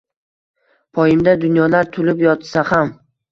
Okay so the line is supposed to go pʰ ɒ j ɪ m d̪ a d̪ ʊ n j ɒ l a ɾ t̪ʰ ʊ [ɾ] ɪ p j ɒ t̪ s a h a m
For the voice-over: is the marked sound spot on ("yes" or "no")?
no